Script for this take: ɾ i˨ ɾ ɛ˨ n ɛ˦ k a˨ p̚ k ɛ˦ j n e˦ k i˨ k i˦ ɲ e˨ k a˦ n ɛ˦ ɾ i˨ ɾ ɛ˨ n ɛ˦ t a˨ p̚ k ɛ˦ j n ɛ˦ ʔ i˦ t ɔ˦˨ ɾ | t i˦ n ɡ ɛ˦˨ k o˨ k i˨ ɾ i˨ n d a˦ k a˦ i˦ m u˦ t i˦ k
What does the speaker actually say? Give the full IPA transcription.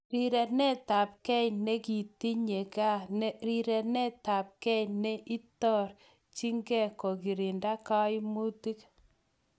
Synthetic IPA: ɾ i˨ ɾ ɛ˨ n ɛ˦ t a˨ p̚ k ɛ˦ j n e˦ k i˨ t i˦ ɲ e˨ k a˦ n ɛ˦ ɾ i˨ ɾ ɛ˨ n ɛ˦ t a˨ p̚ k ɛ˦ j n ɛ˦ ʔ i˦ t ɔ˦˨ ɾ | t͡ʃ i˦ ŋ ɡ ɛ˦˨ k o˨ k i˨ ɾ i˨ n d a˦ k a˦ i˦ m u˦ t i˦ k